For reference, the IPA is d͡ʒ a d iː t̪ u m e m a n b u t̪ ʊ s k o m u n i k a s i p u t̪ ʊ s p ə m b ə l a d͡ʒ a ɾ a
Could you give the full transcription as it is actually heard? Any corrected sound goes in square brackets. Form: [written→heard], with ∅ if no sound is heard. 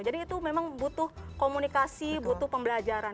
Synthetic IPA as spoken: d͡ʒ a d iː t̪ u m e m a [n→ŋ] b u t̪ ʊ [s→h] k o m u n i k a s i [p→b] u t̪ ʊ [s→h] p ə m b ə l a d͡ʒ a ɾ a

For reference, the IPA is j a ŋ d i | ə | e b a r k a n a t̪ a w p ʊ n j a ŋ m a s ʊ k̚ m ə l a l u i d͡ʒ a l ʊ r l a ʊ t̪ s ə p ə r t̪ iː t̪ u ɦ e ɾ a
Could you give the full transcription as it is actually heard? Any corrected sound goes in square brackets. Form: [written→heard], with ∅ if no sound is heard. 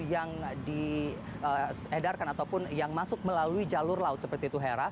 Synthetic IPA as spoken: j a ŋ d i | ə | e [b→d] a r k a n a t̪ a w p ʊ n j a ŋ m a s ʊ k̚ m ə l a l u i d͡ʒ a l ʊ r l a ʊ t̪ s ə p ə r t̪ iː t̪ u ɦ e ɾ a

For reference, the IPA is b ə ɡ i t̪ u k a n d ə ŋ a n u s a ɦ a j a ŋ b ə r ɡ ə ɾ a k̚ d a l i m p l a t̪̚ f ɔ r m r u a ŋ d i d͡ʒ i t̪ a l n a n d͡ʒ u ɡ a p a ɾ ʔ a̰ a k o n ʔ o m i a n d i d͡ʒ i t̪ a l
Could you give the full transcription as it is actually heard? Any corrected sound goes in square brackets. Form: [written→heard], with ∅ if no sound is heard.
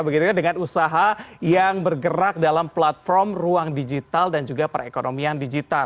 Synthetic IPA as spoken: b ə ɡ i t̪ u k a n d ə ŋ a n u s a ɦ a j a ŋ b ə r ɡ ə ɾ a k̚ d a l [i→a] m p l a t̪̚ f ɔ r m r u a ŋ d i d͡ʒ i t̪ a l [n→d] a n d͡ʒ u ɡ a p a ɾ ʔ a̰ [a→e] k o n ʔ o m i a n d i d͡ʒ i t̪ a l

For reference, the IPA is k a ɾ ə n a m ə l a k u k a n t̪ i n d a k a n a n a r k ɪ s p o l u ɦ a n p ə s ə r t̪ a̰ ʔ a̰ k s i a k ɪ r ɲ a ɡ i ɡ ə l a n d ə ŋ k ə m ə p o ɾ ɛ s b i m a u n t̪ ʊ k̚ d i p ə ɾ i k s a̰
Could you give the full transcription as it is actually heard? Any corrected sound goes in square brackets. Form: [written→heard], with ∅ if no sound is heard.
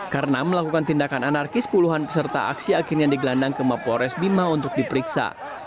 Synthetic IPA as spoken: k a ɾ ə n a m ə l a k u k a n t̪ i n d a k a n a n a r k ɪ s p [o→u] l u ɦ a n p ə s ə r t̪ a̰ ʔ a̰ k s i a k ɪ r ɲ a [ɡ→d] i ɡ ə l a n d [ə→a] ŋ k ə m [ə→a] p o ɾ ɛ s b i m a u n t̪ ʊ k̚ d i p ə ɾ i k s a̰

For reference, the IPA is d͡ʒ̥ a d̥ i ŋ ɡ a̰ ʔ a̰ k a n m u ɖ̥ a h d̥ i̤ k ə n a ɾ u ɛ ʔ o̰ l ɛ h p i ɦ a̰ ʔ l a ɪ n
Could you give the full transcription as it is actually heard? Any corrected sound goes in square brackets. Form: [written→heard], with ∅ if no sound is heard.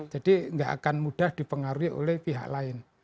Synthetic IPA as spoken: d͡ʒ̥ a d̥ i ŋ ɡ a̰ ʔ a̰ k a n m u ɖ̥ a h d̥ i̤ [k→p] ə [n→ŋ] a ɾ u [ɛ→i] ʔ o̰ l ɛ h p i ɦ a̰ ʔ l a ɪ n

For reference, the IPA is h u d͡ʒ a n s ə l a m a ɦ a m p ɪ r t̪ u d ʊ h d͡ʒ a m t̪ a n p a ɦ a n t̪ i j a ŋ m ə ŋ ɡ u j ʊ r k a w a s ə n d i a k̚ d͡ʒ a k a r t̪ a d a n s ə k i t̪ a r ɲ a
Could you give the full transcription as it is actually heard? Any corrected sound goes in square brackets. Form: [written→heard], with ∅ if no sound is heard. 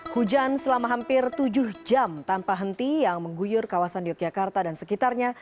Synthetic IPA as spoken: h u d͡ʒ a n s ə l a m a ɦ a m p ɪ r t̪ u [d→d͡ʒ] ʊ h d͡ʒ a m t̪ a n p a ɦ [a→ə] n t̪ i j a ŋ m ə ŋ ɡ u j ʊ r k a w a s [ə→a] n d i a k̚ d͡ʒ a k a r t̪ a d a n s ə k i t̪ a r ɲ a

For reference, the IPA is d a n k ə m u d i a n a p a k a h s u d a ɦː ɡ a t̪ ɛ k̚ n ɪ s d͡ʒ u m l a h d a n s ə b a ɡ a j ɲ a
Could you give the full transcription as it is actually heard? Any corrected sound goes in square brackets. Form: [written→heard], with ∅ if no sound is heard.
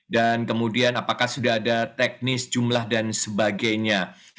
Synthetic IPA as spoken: d a n k ə m u d i a n a p a k a h s u d a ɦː [ɡ→d] a t̪ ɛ k̚ n ɪ s d͡ʒ u m l a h d a n s ə b a ɡ a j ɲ a

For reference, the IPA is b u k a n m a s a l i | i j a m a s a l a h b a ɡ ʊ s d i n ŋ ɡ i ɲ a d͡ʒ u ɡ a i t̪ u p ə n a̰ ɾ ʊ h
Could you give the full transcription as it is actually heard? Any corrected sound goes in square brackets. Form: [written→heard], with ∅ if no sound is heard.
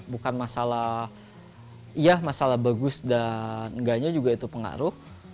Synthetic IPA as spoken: b u k a n m a s a l [i→a] | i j a m a s a l a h b a ɡ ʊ s d [i→a] n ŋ ɡ [i→a] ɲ a d͡ʒ u ɡ a i t̪ u p ə [n→ŋ] a̰ ɾ ʊ h

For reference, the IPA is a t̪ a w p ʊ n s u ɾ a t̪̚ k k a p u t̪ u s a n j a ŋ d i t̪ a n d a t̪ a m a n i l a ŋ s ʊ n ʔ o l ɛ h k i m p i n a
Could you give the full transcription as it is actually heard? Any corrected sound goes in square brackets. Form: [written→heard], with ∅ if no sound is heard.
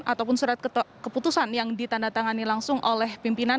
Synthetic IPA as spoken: a t̪ a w p ʊ n s u ɾ a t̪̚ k k [a→ə] p u t̪ u s a n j a ŋ d i t̪ a n d a t̪ a [m→ŋ] a n i l a ŋ s ʊ [n→ŋ] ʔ o l ɛ h [k→p] i m p i n a

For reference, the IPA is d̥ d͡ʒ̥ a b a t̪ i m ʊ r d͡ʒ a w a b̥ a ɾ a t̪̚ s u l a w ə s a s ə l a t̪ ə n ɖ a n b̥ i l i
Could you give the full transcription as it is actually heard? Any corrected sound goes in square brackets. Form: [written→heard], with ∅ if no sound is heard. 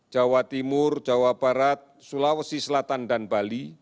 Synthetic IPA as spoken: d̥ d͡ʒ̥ a [b→w] a t̪ i m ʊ r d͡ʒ a w a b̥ a ɾ a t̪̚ s u l a w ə s [a→i] s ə l a t̪ [ə→a] n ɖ a n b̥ [i→a] l i

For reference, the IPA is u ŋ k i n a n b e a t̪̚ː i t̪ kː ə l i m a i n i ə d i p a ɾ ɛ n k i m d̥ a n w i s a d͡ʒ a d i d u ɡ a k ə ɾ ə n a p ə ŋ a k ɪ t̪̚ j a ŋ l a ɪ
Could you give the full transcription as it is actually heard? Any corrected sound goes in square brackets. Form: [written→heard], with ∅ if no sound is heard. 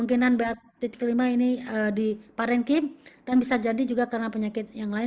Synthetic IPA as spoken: u ŋ k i n a n b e a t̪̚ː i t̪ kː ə l i m a i n i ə d i p a ɾ ɛ n k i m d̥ a n [w→b] i s a d͡ʒ a d i [d→d͡ʒ] u ɡ a k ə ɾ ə n a p ə [ŋ→ɲ] a k ɪ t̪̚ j a ŋ l a ɪ

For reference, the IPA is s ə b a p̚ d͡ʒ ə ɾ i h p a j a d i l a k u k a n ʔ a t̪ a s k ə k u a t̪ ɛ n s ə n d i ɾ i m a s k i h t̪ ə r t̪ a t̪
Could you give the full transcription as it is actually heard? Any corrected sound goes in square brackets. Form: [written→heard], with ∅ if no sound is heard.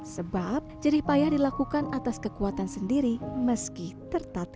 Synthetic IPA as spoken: s ə b a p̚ d͡ʒ ə ɾ i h p a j a d i l a k u k a n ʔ a t̪ a s k ə k u a t̪ [ɛ→a] n s ə n d i ɾ i m [a→ə] s k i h t̪ ə r t̪ a t̪

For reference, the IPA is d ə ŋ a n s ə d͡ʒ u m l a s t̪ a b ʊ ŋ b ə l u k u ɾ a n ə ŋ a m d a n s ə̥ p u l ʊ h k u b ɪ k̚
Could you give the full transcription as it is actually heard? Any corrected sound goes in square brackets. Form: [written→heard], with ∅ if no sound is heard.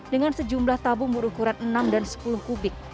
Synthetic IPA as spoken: d ə ŋ a n s ə d͡ʒ u m l a [s→h] t̪ a b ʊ ŋ b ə [l→ɾ] u k u ɾ a n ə [ŋ→n] a m d a n s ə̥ p u l ʊ h k u b ɪ k̚

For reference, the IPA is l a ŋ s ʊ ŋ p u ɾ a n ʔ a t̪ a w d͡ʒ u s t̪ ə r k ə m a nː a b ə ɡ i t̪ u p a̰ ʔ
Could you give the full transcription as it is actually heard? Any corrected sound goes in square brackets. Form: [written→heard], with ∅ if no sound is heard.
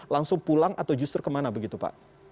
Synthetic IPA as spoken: l a ŋ s ʊ ŋ p u [ɾ→l] a [n→ŋ] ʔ a t̪ a w d͡ʒ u s t̪ ə r k ə m a [nː→n] a b ə ɡ i t̪ u p a̰ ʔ

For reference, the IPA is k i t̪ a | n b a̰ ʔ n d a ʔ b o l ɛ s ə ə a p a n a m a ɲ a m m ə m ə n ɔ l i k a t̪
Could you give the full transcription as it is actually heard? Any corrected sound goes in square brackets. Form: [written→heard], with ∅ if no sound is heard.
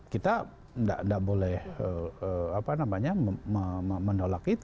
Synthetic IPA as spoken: k i t̪ a | n [b→d] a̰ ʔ n d a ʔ b o l ɛ [s→h] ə ə a p a n a m a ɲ a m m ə m ə n [ɔ→o] l [i→a] k [a→i] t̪

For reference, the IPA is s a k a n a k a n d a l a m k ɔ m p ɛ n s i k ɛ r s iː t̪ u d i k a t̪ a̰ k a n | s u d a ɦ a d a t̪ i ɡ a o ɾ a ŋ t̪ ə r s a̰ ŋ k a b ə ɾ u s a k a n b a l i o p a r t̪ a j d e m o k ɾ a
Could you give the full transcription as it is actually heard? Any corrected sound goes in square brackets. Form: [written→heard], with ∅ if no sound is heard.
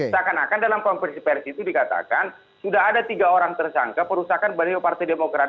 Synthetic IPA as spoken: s a k a n a k a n d a l a m k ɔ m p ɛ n s i [k→p] ɛ r s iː t̪ u d i k a t̪ a̰ k a n | s u d a ɦ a d a t̪ i ɡ a o ɾ a ŋ t̪ ə r s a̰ ŋ k a [b→p] ə ɾ u s a k a n b a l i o p a r t̪ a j d e m o k ɾ a

